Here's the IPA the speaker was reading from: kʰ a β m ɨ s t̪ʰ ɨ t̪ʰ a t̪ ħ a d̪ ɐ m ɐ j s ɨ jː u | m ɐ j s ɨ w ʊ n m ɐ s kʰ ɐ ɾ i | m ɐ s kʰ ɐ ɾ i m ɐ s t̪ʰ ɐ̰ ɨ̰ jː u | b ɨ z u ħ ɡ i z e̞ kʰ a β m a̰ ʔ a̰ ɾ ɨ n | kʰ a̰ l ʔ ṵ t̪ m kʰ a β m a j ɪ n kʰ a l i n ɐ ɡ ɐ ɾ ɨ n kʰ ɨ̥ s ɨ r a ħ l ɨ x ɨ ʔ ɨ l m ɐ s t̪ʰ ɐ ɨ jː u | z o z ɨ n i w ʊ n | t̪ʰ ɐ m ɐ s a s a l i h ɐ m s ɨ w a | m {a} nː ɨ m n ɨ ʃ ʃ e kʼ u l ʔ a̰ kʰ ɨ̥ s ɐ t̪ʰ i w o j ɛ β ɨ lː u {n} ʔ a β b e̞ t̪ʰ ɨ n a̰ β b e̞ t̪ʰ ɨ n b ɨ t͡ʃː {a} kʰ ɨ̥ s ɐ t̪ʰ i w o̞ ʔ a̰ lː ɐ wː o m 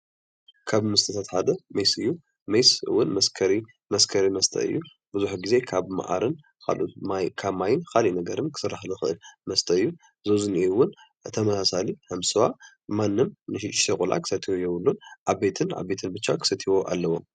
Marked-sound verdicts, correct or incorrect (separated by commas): correct, correct, correct